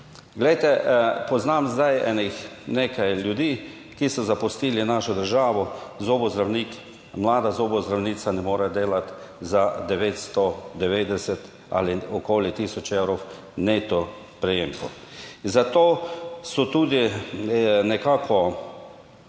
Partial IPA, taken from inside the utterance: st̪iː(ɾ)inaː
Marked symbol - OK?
no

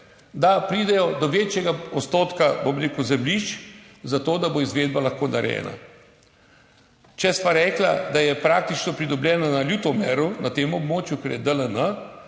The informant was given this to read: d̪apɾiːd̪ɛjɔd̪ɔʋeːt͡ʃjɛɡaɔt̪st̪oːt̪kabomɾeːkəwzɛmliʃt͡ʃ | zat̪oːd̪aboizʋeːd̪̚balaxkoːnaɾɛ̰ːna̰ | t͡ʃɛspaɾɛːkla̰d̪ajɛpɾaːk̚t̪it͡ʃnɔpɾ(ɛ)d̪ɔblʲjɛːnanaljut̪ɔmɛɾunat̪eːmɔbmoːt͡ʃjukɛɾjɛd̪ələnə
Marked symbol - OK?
no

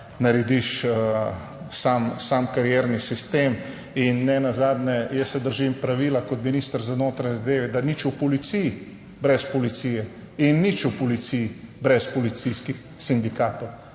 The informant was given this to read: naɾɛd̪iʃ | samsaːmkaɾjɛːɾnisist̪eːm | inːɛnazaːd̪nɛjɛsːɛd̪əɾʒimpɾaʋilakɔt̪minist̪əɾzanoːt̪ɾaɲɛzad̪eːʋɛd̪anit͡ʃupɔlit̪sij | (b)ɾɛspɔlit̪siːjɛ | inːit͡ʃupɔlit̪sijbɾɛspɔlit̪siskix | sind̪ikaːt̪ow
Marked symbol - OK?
yes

